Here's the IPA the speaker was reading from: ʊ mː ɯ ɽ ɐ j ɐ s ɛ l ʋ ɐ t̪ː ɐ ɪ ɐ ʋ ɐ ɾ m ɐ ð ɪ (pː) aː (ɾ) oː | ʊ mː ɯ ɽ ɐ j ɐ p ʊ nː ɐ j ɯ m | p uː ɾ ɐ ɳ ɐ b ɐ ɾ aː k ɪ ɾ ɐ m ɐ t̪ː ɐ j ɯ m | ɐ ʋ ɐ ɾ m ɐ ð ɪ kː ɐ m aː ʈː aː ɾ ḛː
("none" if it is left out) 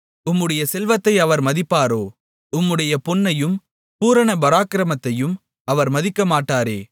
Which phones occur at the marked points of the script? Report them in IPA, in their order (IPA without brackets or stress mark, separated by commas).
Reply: pː, ɾ